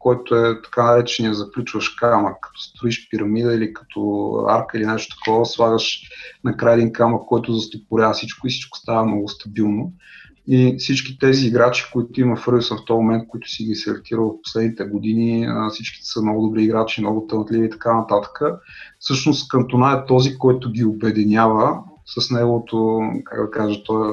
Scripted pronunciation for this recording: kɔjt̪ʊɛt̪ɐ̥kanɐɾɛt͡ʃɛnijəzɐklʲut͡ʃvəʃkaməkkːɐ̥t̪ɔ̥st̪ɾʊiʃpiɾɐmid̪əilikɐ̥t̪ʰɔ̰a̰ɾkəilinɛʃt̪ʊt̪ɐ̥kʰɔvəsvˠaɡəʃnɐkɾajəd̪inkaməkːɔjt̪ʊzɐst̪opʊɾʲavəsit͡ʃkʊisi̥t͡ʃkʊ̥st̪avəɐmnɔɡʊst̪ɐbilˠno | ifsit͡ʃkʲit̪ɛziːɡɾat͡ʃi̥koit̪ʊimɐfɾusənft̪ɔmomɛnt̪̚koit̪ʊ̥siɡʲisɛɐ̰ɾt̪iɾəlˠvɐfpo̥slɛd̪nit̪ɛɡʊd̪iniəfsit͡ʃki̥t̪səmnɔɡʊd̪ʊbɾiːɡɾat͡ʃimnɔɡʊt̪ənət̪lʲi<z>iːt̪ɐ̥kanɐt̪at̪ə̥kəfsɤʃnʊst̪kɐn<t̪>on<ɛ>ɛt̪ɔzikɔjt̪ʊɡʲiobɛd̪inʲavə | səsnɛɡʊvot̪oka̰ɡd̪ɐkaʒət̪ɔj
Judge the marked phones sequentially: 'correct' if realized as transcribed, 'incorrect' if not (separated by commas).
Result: incorrect, correct, incorrect